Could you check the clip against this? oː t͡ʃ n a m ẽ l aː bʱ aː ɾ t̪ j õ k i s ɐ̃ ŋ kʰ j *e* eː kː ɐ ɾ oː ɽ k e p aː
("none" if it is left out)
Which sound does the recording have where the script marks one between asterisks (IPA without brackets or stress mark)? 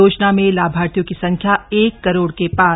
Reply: a